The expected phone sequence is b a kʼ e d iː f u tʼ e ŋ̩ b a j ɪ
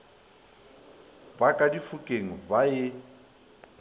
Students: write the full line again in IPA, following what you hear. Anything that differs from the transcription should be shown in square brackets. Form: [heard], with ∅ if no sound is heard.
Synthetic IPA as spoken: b a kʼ [a] d [i] f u [kʼ] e ŋ̩ b a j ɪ